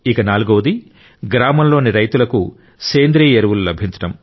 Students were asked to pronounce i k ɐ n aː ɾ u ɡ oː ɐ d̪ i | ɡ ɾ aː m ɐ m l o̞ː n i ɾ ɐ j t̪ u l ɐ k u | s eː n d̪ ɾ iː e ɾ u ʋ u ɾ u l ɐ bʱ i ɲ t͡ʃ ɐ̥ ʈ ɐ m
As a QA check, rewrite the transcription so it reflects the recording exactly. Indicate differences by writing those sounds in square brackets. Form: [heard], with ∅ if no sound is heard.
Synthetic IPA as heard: i k ɐ n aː [l] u ɡ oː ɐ d̪ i | ɡ ɾ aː m ɐ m l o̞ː n i ɾ ɐ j t̪ u l ɐ k u | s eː n d̪ ɾ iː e ɾ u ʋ u [l] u l ɐ bʱ i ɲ t͡ʃ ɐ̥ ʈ ɐ m